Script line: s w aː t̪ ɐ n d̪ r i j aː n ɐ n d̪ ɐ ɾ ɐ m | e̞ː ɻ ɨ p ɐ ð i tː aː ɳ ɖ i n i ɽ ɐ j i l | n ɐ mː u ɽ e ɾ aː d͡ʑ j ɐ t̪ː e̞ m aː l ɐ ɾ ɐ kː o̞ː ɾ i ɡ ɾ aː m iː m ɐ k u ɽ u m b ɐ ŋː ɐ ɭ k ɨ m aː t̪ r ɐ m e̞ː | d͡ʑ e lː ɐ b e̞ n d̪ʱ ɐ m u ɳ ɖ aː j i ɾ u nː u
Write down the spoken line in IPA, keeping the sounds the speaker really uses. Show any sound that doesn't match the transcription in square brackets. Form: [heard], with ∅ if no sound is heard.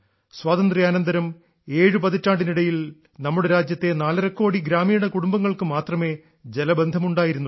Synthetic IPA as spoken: s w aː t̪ ɐ n d̪ r i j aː n ɐ n d̪ ɐ ɾ ɐ m | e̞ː ɻ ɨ p ɐ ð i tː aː ɳ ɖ i n i ɽ ɐ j i l | n ɐ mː u ɽ e ɾ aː d͡ʑ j ɐ t̪ː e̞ [n] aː l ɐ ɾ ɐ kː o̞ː [ɽ] i ɡ ɾ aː m iː [ɳ] ɐ k u ɽ u m b ɐ ŋː ɐ ɭ k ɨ m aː t̪ r ɐ m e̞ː | d͡ʑ e [l] ɐ b e̞ n d̪ʱ ɐ m u ɳ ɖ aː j i ɾ u nː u